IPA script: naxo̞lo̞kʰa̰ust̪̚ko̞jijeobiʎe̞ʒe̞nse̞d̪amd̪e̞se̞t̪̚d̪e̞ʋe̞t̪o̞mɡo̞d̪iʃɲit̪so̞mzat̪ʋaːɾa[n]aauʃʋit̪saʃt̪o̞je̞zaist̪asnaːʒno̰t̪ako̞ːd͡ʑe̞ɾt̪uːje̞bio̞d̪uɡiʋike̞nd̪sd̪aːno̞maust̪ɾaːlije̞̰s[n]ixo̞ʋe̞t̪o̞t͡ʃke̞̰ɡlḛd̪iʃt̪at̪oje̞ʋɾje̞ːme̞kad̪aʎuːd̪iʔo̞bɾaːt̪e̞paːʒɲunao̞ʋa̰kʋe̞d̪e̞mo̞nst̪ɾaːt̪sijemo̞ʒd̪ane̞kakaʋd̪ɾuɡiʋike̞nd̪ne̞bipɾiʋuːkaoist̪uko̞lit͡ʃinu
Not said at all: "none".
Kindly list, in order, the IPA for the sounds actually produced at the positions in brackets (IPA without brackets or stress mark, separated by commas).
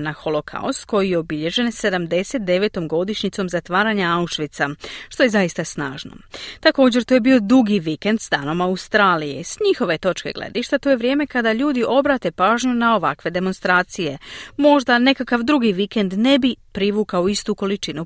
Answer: ɲ, ɲ